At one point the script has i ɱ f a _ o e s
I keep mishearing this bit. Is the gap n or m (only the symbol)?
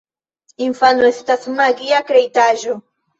n